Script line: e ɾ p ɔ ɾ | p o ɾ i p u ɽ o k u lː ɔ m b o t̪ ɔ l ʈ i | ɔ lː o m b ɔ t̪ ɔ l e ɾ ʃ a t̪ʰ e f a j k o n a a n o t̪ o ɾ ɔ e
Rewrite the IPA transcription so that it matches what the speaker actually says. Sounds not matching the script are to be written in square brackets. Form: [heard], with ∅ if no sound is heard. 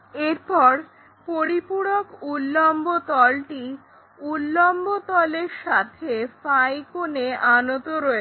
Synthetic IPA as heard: e ɾ p ɔ ɾ | p o ɾ i p u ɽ o k u lː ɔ m b o t̪ ɔ l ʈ i | [u] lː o m b [o] t̪ ɔ l e ɾ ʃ a t̪ʰ e f a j k o n [e] a n o t̪ o ɾ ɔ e